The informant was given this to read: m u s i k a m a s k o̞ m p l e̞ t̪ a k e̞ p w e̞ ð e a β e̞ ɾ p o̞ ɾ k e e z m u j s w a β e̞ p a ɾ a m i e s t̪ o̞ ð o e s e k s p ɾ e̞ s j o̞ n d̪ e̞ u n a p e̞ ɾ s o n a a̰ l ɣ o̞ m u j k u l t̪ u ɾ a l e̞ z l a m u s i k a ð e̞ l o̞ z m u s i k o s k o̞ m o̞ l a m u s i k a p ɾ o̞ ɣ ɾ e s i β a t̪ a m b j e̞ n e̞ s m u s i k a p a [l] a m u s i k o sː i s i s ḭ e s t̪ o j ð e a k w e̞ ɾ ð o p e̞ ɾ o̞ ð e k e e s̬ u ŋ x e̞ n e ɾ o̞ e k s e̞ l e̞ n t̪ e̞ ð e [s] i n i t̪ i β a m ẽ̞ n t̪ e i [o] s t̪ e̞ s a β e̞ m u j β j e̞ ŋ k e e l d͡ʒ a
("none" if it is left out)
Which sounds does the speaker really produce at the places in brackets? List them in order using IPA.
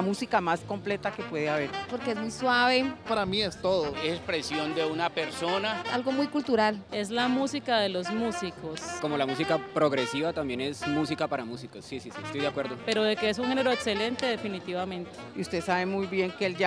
ɾ, f, u

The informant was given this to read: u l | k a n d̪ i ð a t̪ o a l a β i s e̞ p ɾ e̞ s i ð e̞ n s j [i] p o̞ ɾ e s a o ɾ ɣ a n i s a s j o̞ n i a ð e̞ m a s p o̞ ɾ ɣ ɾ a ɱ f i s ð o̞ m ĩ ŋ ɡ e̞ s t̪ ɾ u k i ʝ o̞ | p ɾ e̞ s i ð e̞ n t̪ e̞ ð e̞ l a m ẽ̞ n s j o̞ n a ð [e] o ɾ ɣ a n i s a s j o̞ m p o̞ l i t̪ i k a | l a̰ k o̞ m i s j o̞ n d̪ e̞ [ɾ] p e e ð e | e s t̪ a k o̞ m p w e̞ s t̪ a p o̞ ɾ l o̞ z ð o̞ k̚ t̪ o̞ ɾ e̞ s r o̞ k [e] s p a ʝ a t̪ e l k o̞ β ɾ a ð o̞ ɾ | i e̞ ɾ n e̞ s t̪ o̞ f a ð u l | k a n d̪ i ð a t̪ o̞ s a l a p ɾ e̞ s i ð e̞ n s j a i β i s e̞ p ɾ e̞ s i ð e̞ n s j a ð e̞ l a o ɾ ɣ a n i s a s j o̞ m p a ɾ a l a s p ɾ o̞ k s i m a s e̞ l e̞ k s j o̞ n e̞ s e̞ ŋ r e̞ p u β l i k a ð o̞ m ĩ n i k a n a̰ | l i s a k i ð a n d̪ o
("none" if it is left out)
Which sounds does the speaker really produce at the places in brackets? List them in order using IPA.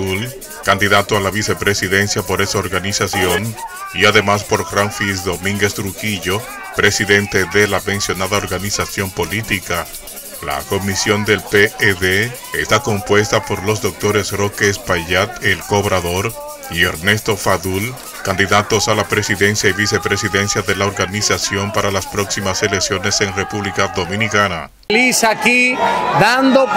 a, a, l, e

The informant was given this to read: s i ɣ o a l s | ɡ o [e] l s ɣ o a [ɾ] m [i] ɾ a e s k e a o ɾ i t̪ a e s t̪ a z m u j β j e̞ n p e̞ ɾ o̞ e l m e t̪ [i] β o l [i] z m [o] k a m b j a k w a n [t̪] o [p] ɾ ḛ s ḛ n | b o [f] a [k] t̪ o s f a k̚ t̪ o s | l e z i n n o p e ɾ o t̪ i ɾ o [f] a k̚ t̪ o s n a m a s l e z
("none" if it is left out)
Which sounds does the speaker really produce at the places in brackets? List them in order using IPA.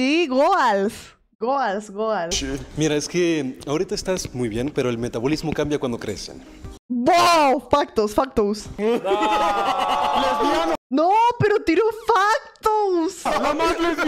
a, l, i, a, i, o, d̪, k, f, k, f

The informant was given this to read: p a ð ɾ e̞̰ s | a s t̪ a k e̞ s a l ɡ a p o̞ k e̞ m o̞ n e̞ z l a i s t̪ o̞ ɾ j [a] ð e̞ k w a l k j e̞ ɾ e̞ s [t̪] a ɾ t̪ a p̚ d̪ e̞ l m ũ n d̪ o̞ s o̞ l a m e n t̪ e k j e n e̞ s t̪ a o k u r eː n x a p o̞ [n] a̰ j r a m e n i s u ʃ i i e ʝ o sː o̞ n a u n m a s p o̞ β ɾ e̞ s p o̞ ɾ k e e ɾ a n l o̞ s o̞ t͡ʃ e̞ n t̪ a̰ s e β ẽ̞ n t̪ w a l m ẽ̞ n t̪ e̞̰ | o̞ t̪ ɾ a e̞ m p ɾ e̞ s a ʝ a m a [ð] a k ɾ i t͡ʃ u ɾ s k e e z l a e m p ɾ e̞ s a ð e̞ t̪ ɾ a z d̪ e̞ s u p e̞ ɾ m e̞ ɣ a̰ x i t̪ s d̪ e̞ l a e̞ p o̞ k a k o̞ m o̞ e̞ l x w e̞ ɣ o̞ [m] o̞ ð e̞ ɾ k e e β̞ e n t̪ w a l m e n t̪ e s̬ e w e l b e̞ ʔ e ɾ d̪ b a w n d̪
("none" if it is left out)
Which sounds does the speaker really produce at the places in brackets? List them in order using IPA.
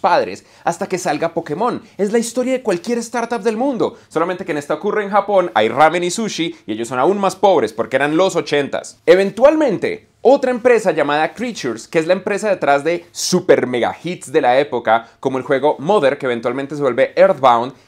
a, t̪, n, ð, m

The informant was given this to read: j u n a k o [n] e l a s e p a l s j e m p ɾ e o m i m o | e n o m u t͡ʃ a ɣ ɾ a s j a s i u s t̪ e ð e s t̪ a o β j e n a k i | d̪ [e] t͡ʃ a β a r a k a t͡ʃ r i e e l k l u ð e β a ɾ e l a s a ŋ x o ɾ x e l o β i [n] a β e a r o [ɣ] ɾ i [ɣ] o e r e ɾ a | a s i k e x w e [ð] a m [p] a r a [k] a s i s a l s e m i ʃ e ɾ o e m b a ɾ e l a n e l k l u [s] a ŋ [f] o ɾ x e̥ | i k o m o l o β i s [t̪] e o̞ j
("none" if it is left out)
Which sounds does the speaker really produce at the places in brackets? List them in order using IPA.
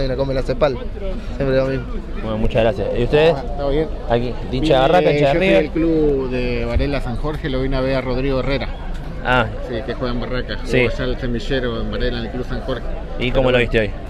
m, i, n, ð, ɣ, ɣ, b, k, s, x, t̪

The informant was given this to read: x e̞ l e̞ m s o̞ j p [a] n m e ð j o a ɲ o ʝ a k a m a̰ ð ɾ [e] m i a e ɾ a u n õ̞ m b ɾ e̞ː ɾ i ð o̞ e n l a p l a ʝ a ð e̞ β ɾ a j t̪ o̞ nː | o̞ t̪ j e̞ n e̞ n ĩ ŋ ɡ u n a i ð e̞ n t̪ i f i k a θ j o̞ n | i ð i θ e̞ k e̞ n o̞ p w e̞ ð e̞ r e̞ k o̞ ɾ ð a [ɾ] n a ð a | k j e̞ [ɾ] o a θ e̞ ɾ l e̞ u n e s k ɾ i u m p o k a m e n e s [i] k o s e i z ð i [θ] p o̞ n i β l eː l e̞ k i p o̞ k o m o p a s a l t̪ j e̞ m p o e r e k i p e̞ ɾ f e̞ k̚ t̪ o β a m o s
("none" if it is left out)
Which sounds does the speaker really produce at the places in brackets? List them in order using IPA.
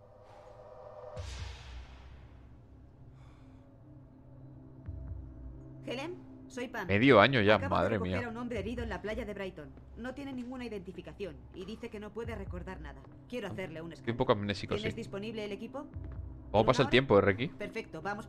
a, e, ɾ, ɾ, i, s

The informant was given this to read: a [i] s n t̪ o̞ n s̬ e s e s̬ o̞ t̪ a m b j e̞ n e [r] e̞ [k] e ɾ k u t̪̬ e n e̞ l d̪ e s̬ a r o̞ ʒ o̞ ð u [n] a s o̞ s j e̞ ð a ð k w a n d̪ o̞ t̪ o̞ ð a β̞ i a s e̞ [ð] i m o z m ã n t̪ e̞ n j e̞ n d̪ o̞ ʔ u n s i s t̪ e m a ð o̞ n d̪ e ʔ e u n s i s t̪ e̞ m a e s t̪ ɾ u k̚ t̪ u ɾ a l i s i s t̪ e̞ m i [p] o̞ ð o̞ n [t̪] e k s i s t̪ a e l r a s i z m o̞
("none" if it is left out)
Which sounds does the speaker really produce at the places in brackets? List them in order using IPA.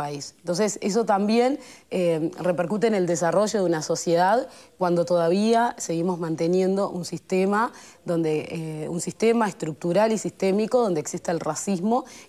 i, r, p, n, ɣ, k, d̪

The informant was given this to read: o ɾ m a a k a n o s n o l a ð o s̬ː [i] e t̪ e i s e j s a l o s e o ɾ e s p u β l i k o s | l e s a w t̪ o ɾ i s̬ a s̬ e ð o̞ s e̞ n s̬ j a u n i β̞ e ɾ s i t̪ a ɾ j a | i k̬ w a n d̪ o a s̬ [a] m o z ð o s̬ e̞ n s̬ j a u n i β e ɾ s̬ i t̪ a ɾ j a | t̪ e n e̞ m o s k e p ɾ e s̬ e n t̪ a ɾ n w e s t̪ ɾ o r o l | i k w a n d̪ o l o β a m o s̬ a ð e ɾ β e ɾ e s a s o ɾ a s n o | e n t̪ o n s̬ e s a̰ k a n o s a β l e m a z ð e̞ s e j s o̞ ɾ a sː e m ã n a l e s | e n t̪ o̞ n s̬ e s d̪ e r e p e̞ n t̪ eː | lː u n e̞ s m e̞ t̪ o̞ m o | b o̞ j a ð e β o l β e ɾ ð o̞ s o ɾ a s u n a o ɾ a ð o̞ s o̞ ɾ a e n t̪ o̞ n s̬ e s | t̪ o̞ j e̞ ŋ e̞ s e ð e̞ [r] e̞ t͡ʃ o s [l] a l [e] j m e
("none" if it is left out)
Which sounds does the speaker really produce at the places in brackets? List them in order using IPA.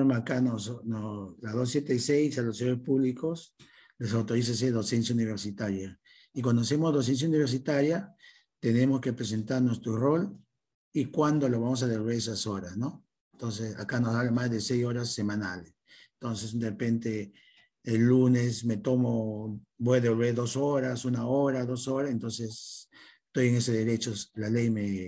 j, e, ɾ, l, e

